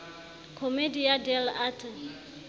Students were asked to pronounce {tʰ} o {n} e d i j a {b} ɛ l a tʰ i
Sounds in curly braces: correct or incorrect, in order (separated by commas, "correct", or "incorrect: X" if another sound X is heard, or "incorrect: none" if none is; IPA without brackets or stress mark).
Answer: incorrect: kʰ, incorrect: m, incorrect: d